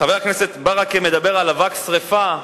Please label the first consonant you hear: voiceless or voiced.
voiced